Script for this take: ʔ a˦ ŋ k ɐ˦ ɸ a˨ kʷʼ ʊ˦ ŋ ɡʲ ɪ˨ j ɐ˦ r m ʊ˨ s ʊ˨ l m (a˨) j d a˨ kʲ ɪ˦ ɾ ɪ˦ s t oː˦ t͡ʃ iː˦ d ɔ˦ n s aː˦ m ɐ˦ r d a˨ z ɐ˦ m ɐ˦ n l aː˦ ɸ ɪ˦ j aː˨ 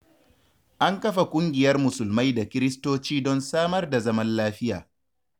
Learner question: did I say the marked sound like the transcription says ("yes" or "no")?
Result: no